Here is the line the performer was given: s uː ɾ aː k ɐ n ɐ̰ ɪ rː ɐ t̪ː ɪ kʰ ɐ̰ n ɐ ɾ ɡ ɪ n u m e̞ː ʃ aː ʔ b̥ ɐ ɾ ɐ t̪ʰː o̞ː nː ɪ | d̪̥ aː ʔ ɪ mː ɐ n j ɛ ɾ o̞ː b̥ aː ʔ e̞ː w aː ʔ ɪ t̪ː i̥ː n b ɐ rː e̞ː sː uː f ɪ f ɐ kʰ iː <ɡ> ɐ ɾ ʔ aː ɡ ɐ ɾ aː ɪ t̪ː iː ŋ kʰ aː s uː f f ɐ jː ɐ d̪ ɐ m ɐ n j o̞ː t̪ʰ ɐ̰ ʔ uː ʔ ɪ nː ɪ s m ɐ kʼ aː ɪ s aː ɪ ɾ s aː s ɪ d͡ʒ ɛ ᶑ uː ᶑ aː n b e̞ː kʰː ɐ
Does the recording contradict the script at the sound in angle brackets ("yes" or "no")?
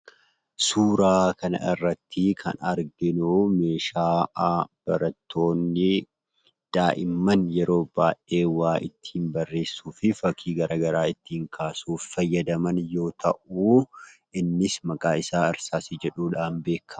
no